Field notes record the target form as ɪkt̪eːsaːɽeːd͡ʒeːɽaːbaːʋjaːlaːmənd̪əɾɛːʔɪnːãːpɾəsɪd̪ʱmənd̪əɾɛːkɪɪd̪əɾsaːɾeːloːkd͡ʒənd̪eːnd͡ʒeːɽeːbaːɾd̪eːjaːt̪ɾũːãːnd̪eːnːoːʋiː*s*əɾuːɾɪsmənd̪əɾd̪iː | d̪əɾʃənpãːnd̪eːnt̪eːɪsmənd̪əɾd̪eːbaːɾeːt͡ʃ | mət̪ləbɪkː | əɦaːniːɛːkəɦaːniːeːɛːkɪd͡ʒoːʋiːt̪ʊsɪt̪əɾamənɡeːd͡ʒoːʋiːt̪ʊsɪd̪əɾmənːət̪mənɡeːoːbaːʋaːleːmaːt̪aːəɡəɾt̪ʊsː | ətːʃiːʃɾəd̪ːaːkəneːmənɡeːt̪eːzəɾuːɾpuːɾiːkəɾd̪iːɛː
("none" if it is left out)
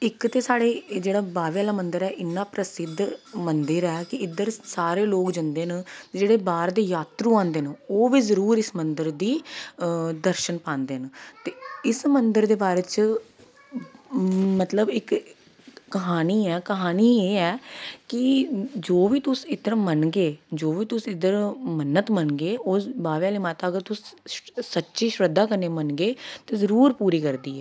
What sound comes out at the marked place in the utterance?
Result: z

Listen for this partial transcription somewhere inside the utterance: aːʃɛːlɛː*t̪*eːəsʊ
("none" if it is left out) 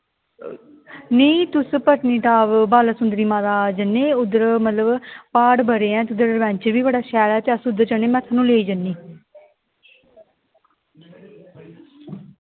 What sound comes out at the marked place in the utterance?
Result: t̪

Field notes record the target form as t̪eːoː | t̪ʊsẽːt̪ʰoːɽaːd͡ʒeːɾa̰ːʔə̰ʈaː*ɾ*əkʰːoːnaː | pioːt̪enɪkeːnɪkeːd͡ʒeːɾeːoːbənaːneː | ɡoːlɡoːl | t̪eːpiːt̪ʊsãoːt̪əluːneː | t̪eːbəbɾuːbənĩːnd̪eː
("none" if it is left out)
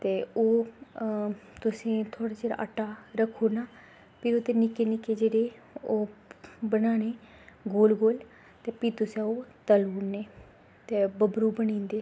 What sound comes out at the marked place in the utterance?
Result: ɾ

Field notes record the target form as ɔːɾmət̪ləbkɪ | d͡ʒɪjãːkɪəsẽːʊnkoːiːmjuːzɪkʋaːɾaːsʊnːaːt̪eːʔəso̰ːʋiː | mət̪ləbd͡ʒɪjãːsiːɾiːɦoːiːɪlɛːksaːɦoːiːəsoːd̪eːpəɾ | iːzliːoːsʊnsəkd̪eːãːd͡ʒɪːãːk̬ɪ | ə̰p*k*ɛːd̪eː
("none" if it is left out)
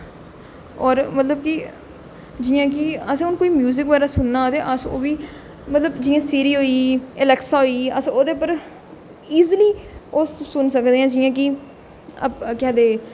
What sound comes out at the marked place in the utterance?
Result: k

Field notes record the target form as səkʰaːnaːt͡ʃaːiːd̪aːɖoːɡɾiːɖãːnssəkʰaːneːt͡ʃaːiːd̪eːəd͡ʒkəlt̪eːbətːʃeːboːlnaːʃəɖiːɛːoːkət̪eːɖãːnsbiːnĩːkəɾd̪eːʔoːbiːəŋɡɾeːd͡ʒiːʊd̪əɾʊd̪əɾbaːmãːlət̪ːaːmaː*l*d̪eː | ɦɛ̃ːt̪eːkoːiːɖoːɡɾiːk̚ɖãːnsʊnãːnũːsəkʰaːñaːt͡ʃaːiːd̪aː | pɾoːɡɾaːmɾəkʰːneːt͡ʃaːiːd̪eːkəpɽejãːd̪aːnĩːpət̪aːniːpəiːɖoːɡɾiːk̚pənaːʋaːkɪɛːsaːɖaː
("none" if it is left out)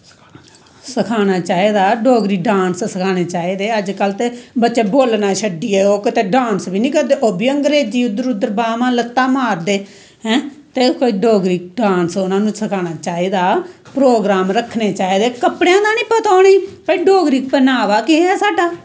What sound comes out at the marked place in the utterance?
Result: ɾ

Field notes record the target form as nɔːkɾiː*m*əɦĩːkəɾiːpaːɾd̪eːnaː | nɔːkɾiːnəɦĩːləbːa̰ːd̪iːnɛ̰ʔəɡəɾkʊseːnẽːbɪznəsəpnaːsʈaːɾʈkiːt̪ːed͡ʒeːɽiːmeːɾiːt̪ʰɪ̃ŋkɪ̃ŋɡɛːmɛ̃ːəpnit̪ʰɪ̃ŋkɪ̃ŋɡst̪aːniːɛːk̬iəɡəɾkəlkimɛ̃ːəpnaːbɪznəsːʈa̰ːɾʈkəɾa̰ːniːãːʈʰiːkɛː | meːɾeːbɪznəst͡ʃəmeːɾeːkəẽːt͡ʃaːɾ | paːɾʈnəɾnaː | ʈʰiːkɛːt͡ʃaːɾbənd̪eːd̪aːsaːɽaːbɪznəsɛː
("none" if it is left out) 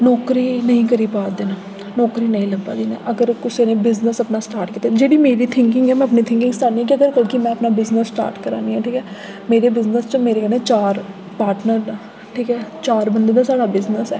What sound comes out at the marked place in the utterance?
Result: n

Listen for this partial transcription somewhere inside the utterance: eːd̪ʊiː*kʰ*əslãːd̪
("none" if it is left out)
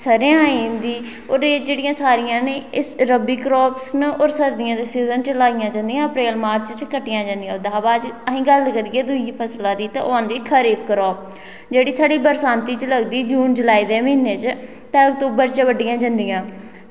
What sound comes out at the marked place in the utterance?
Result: pʰ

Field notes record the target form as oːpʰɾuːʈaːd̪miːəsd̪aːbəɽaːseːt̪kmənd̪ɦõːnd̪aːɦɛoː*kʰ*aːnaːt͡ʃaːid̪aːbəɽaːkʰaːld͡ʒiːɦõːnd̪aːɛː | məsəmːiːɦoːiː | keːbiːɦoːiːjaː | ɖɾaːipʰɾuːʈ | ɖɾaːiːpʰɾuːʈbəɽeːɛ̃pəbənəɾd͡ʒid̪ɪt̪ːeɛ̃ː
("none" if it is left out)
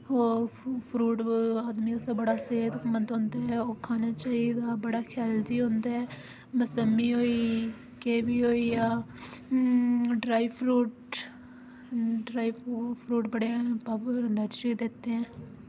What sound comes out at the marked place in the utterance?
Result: kʰ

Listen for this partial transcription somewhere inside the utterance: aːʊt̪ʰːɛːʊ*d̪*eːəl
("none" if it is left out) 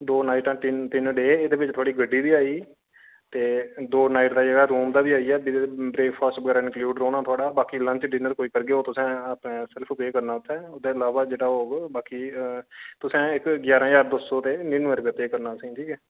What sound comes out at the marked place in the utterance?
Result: d̪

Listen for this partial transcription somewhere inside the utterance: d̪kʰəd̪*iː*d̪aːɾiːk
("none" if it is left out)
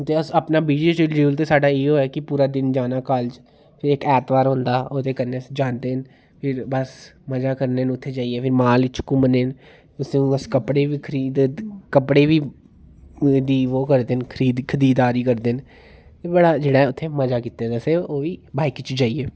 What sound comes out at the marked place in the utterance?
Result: iː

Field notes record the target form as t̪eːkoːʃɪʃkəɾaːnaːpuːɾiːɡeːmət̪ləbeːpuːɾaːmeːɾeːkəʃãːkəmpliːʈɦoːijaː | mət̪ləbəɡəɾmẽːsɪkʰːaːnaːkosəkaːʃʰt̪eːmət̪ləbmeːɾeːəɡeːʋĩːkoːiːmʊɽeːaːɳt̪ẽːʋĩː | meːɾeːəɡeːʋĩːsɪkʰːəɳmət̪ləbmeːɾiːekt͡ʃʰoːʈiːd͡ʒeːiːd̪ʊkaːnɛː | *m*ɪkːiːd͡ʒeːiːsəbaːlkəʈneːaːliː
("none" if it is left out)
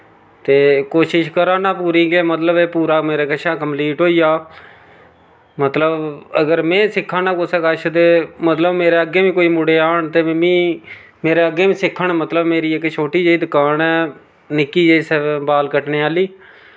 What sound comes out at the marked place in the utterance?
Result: n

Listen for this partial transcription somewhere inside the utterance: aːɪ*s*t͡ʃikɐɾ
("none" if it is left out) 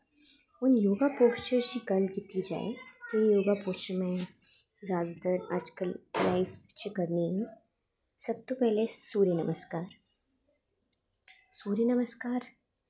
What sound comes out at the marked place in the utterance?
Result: f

